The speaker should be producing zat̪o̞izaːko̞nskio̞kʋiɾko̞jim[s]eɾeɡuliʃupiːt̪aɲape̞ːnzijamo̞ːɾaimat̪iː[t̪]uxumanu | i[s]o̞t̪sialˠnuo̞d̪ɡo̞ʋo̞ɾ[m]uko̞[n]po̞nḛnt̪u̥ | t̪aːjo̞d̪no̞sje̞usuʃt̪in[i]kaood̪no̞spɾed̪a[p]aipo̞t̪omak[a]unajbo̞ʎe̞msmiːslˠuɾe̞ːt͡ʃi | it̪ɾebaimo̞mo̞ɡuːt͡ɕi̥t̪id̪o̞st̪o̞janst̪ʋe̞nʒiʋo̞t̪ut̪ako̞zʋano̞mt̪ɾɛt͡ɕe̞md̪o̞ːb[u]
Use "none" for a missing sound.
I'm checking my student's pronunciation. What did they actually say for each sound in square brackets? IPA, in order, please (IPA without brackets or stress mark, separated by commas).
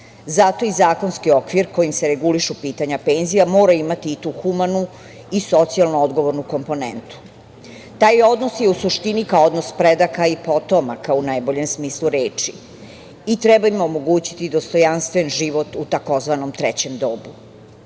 s, t̪, s, n, m, i, k, a, u